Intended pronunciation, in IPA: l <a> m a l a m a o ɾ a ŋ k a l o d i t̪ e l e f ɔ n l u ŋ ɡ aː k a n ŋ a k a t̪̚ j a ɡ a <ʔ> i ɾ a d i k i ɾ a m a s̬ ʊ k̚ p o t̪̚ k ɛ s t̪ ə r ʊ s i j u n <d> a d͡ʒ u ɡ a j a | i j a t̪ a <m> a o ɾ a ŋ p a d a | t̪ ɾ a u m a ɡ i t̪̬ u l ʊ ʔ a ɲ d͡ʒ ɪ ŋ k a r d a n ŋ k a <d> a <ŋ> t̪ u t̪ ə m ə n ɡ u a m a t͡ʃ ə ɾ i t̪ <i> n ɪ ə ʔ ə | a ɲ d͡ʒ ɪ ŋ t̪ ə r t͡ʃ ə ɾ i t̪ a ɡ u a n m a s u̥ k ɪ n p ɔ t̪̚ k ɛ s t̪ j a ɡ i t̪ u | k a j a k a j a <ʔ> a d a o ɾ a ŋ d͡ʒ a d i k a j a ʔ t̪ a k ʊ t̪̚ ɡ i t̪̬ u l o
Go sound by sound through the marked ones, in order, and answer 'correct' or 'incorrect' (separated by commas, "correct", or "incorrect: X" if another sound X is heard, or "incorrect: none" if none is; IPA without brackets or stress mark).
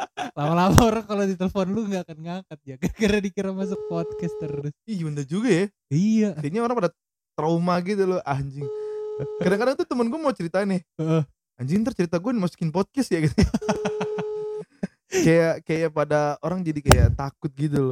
correct, incorrect: k, correct, incorrect: ɲ, correct, correct, incorrect: a, incorrect: p